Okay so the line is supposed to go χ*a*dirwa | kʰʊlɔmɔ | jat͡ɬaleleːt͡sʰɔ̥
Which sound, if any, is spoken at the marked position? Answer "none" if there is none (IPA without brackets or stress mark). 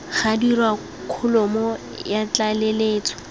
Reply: a